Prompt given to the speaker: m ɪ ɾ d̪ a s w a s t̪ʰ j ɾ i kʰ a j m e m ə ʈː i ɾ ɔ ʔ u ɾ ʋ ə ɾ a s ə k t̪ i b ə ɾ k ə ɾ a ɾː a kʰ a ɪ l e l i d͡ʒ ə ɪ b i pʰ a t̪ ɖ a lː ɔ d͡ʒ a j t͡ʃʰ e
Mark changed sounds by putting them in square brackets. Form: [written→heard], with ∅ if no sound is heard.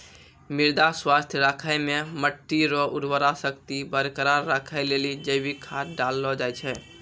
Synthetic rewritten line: m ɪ ɾ d̪ a s w a s t̪ʰ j ɾ [i→a] kʰ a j m e m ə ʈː i ɾ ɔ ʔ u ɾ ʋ ə ɾ a s ə k t̪ i b ə ɾ k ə ɾ a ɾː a kʰ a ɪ l e l i d͡ʒ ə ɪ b i [pʰ→kʰ] a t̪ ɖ a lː ɔ d͡ʒ a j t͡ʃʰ [e→ɛ]